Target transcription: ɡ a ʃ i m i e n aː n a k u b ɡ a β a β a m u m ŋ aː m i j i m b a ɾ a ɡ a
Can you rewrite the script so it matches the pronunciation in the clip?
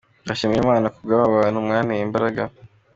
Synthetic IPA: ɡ a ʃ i m i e m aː n a k u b ɡ a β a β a n u m ŋ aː n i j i m b a ɾ a ɡ a